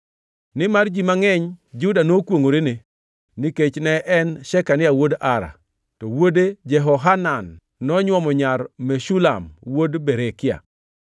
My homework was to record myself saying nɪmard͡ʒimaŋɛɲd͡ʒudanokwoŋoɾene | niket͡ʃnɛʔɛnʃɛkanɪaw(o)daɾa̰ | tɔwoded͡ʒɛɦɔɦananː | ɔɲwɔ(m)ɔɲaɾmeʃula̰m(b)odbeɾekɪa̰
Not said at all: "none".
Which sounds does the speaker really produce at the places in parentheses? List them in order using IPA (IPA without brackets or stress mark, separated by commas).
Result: o, m, w